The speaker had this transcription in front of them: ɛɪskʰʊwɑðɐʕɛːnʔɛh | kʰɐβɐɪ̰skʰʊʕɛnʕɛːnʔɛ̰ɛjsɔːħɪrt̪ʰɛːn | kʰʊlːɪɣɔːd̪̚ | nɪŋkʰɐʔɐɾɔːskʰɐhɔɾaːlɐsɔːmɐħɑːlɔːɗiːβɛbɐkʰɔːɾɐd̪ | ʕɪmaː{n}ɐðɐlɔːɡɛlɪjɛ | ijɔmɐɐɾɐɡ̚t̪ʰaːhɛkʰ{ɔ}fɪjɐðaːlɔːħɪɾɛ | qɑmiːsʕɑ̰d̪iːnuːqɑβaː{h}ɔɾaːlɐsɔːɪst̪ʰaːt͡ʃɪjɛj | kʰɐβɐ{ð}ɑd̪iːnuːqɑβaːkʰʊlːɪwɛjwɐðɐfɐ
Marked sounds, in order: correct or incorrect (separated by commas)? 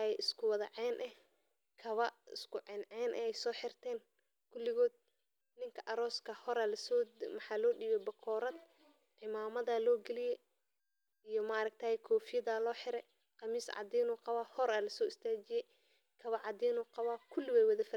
incorrect, incorrect, correct, incorrect